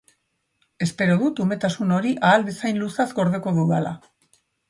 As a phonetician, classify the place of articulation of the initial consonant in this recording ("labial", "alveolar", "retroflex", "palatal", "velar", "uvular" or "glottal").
alveolar